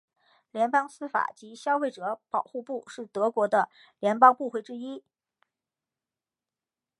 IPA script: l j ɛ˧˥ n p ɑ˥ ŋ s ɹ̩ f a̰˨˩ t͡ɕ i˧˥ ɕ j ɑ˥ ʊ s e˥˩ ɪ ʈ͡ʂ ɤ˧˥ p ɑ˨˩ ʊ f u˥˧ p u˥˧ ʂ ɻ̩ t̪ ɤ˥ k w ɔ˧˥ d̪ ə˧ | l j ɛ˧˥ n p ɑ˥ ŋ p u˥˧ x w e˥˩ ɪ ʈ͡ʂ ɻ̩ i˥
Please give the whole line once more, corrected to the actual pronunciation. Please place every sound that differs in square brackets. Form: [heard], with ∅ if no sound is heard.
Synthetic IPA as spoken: l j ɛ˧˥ n p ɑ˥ ŋ s ɹ̩ f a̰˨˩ t͡ɕ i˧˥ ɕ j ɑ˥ ʊ [f] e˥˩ ɪ ʈ͡ʂ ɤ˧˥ p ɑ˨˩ ʊ [x] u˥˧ p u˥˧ ʂ ɻ̩ t̪ [ɤ˧˥] k w ɔ˧˥ d̪ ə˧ | l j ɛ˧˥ n p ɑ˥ ŋ p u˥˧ x w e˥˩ ɪ ʈ͡ʂ ɻ̩ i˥